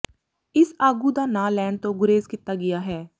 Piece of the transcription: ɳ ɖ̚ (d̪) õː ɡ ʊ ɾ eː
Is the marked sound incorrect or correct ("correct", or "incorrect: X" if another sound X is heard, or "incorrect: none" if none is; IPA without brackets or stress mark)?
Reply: incorrect: t̪